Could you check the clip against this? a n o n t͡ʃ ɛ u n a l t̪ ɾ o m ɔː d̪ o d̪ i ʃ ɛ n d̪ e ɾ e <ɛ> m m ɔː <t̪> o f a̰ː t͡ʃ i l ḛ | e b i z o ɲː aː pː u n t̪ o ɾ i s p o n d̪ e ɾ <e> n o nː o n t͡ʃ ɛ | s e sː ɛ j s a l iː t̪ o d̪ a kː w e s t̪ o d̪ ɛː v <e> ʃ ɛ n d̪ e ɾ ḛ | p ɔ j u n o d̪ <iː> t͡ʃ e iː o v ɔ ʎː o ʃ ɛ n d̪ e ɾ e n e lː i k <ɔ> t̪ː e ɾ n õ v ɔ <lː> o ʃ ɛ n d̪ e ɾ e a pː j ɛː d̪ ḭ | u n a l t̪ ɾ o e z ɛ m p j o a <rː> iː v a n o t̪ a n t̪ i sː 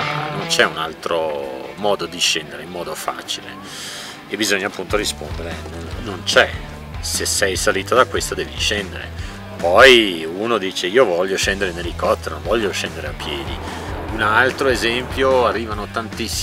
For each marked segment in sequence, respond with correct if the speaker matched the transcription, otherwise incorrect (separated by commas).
incorrect, incorrect, correct, incorrect, correct, correct, incorrect, correct